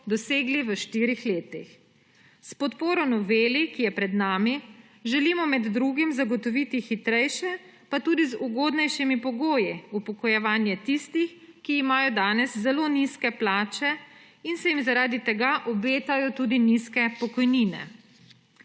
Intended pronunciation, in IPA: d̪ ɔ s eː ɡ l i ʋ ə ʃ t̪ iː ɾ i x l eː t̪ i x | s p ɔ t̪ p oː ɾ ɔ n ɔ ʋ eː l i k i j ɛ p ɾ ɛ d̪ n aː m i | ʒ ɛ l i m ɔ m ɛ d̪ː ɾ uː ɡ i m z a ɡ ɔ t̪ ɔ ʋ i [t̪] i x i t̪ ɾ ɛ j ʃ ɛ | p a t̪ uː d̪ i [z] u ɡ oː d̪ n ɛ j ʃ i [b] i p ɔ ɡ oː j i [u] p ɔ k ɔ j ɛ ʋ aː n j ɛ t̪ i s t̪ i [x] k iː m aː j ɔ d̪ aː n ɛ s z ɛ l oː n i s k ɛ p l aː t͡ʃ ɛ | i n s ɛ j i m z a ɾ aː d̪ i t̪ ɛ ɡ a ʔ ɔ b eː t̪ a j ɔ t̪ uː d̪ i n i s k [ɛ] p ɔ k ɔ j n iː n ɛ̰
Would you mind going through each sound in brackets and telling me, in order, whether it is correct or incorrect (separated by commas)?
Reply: correct, correct, incorrect, correct, correct, correct